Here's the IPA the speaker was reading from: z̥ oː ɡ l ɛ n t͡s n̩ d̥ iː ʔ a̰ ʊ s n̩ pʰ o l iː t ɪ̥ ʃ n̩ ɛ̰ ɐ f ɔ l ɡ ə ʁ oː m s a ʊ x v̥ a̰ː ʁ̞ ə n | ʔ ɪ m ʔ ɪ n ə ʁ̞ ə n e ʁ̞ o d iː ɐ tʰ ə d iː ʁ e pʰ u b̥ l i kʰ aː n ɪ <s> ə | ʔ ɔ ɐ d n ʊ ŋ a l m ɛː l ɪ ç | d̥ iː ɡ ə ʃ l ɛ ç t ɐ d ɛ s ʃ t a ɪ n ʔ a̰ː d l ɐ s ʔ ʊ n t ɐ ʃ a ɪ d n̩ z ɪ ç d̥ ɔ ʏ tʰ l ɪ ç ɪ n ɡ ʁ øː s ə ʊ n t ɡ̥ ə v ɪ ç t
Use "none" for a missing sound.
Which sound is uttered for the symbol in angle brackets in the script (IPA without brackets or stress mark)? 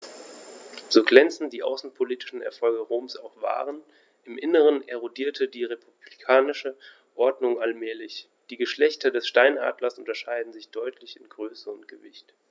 ʃ